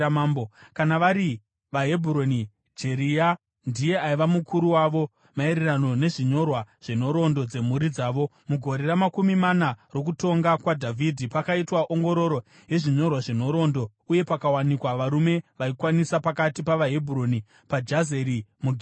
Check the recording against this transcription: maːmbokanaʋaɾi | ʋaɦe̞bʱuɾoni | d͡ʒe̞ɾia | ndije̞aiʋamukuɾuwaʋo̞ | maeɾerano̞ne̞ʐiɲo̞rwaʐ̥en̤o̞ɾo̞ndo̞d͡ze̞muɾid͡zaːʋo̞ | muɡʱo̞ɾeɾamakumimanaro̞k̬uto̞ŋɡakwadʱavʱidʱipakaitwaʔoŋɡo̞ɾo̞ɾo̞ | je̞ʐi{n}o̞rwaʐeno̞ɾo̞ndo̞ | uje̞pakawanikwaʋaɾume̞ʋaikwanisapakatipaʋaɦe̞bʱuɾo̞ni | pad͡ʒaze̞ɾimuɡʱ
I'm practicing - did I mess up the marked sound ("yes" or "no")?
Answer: yes